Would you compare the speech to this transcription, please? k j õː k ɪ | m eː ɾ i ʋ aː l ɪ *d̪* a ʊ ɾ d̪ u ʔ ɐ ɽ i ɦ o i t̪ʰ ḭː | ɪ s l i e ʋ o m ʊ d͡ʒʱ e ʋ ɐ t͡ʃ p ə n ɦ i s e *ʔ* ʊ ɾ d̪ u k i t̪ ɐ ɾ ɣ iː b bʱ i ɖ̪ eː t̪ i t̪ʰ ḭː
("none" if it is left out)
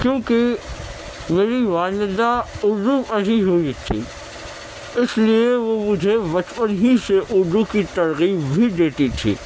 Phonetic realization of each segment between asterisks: d̪, ʔ

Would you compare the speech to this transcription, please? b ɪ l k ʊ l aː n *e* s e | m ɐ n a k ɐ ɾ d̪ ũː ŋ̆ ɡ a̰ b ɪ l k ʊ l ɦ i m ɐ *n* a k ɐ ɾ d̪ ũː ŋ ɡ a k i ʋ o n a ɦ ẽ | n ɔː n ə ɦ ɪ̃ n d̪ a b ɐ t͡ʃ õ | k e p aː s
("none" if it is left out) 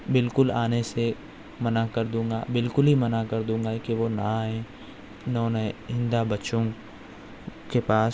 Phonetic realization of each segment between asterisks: e, n

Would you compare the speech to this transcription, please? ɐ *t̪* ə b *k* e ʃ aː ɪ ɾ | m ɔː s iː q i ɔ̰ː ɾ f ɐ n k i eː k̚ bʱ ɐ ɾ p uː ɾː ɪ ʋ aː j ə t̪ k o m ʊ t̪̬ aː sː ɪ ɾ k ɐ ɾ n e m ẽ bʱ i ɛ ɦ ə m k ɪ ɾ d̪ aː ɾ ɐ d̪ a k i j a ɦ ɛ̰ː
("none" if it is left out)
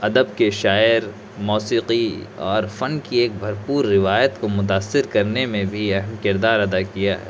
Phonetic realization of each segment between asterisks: d̪, k

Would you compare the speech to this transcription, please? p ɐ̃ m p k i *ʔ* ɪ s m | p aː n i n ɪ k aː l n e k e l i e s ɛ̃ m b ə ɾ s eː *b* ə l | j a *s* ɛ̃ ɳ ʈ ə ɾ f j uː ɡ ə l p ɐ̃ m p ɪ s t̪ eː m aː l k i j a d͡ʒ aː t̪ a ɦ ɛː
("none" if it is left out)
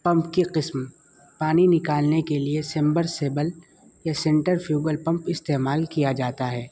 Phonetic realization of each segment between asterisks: q, b, s

